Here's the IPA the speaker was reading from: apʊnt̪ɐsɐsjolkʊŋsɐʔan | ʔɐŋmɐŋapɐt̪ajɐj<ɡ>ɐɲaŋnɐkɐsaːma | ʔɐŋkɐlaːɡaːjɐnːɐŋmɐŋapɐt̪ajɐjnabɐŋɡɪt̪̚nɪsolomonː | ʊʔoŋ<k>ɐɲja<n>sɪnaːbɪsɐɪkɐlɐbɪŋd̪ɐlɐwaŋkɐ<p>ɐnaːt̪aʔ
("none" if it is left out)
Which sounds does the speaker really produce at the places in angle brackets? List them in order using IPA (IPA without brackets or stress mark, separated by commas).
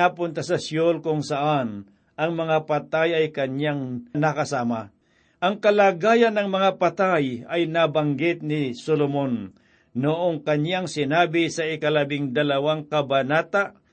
k, k, ŋ, b